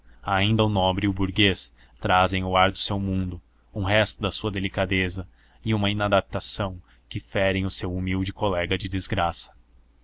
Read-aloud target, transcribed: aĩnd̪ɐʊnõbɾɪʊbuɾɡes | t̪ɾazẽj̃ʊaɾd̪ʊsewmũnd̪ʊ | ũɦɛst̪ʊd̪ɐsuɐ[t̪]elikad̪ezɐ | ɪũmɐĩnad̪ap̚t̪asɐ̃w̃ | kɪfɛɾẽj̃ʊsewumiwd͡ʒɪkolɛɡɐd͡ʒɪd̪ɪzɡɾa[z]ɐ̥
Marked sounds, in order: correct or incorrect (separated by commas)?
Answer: incorrect, incorrect